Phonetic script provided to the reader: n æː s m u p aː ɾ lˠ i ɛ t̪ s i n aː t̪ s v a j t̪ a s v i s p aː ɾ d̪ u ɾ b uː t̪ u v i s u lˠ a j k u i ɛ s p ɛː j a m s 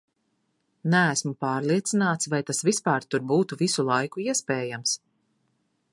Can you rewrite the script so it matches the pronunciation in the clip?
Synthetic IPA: n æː s m u p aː ɾ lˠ i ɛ t̪ s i n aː t̪ s v a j t̪ a s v i s p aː ɾ t̪ u ɾ b uː t̪ u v i s u lˠ a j k u i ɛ s p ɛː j a m s